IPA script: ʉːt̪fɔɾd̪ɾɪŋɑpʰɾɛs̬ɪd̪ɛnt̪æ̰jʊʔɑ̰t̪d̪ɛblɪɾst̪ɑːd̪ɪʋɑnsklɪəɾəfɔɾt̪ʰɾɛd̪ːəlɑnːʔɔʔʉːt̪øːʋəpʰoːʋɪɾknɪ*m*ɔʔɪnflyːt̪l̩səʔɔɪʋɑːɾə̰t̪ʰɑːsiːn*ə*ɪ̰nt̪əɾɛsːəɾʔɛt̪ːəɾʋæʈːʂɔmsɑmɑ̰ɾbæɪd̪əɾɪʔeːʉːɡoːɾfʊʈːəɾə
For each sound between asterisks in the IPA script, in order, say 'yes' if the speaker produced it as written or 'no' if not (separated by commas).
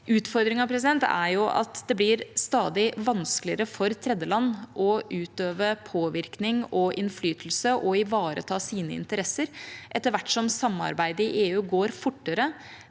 no, yes